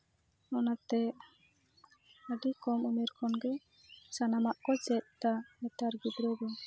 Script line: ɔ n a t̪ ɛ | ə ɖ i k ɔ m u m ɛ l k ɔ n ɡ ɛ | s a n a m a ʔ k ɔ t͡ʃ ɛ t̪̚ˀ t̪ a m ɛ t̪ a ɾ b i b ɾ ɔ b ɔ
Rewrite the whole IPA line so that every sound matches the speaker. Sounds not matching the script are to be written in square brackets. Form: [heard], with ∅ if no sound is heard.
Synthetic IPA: ɔ n a t̪ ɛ | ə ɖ i k ɔ m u m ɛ [ɾ] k ɔ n ɡ ɛ | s a n a m a ʔ k ɔ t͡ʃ ɛ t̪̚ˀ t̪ a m ɛ t̪ a ɾ [ɡ] i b ɾ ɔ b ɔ